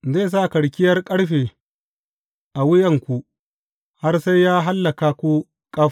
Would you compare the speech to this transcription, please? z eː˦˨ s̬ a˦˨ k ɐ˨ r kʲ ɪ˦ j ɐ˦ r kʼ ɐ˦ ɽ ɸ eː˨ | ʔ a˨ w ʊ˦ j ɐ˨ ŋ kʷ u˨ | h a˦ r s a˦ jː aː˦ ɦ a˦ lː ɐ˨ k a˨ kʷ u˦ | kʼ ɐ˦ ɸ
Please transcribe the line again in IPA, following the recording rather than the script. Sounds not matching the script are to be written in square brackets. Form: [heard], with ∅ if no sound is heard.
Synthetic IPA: z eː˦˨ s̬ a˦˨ k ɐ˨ [ɽ] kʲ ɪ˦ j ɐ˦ r kʼ ɐ˦ ɽ ɸ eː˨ | ʔ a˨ w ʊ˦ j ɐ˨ ŋ kʷ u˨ | h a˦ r s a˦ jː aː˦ ɦ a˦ lː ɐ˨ k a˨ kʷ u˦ | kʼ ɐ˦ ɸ